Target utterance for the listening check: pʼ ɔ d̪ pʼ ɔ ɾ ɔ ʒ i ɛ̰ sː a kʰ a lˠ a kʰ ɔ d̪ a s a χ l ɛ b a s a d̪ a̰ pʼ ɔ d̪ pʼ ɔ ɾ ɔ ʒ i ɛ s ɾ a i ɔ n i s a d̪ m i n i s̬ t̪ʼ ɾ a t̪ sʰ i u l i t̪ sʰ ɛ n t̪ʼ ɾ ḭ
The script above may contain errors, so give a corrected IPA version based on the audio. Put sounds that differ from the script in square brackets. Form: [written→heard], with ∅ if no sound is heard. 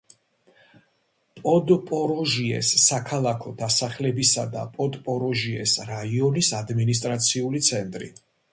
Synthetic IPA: pʼ ɔ d̪ pʼ ɔ ɾ ɔ ʒ i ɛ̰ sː a kʰ a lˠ a kʰ ɔ d̪ a s a χ l ɛ b [a→i] s a d̪ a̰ pʼ ɔ d̪ pʼ ɔ ɾ ɔ ʒ i ɛ s ɾ a i ɔ n i s a d̪ m i n i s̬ t̪ʼ ɾ a t̪ sʰ i u l i t̪ sʰ ɛ n t̪ʼ ɾ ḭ